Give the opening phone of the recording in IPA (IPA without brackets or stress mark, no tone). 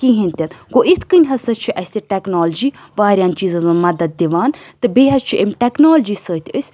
k